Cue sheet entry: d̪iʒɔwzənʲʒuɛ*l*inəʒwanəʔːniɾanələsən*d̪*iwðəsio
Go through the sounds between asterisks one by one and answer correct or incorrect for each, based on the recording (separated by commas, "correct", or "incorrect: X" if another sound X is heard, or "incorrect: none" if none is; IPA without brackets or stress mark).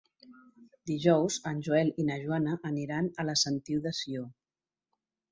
correct, incorrect: t̪